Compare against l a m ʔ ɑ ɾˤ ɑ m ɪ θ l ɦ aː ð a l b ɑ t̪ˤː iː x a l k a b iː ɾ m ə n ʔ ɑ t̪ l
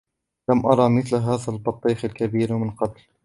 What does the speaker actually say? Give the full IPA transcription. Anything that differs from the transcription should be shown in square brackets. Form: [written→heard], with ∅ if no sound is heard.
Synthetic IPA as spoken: l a m ʔ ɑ ɾˤ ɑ m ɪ θ l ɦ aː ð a l b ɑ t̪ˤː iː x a l k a b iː ɾ m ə n [ʔ→q] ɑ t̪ l